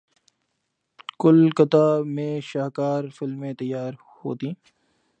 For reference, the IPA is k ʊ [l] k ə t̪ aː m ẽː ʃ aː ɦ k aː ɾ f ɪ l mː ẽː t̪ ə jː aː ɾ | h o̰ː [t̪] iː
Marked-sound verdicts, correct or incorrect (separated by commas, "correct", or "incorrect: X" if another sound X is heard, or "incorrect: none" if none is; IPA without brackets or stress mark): correct, correct